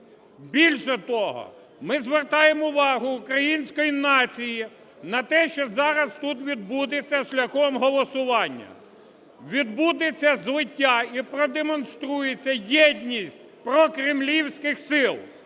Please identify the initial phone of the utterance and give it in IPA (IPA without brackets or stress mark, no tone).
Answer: bʲ